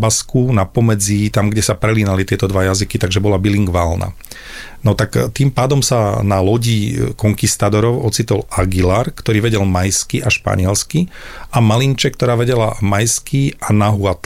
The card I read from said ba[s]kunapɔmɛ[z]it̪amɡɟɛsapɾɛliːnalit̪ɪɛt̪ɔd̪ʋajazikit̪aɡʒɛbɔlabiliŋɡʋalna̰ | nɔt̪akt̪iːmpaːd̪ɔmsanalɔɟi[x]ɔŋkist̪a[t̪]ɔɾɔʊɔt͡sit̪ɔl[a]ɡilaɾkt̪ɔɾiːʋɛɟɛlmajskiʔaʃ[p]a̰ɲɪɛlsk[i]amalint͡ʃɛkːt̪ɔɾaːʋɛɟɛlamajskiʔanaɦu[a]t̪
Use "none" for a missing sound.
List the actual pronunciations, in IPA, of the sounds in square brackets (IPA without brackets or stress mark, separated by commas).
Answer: s, d͡z, k, d̪, a, p, i, a